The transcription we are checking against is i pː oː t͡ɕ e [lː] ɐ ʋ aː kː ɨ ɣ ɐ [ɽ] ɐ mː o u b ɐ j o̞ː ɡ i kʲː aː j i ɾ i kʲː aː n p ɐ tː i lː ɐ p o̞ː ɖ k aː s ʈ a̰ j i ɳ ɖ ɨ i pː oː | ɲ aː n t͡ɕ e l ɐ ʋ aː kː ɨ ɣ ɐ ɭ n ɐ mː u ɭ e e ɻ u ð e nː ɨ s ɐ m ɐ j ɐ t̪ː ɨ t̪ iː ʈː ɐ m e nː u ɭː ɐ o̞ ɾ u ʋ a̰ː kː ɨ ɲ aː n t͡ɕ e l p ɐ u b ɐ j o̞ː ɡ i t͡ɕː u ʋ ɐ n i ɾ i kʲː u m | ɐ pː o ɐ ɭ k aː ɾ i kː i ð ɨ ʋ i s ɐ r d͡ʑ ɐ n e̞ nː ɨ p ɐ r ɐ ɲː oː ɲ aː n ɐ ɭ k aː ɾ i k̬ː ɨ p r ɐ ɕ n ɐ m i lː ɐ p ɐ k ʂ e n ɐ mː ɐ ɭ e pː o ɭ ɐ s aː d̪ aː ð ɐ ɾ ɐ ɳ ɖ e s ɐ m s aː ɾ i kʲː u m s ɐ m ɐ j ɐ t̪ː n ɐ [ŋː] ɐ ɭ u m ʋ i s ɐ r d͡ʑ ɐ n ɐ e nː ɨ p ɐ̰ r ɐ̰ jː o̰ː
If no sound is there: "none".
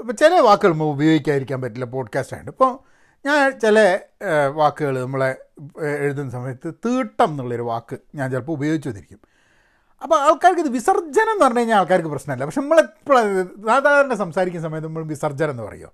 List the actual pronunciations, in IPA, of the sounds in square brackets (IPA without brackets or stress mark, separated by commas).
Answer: l, ɭ, mː